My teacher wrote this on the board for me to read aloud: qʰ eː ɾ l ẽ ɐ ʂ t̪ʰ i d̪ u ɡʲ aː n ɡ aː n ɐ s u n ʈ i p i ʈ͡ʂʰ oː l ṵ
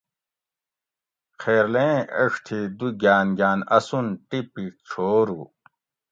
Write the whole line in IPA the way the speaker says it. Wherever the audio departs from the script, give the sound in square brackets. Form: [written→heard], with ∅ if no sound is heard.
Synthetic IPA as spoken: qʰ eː ɾ l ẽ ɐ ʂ t̪ʰ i d̪ u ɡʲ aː n ɡ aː n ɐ s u n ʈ i p i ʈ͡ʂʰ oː [l→ɾ] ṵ